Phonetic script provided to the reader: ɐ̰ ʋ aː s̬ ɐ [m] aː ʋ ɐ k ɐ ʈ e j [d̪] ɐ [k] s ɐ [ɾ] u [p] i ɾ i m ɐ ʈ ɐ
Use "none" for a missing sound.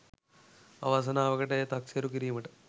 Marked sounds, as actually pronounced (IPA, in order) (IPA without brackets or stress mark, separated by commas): n, t̪, k, ɾ, k